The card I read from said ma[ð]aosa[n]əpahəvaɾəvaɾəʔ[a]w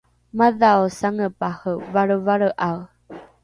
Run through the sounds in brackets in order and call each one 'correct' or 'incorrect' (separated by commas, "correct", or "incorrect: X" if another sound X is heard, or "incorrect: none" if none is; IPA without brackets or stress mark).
correct, incorrect: ŋ, correct